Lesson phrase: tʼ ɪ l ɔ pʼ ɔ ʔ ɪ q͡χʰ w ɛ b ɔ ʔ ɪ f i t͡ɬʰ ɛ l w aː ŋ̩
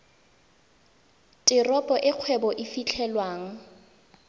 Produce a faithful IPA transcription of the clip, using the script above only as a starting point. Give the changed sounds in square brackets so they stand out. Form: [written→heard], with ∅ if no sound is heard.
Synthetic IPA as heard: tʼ ɪ [l→r] ɔ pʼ ɔ ʔ ɪ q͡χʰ w ɛ b ɔ ʔ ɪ f i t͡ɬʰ ɛ l w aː ŋ̩